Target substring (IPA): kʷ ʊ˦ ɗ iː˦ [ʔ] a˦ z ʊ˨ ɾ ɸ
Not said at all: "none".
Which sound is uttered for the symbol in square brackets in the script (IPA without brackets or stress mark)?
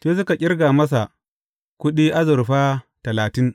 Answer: ʔ